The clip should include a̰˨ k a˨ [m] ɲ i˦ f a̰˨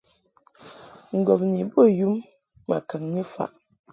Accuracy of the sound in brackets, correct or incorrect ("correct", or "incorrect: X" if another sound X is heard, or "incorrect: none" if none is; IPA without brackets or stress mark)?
incorrect: ŋ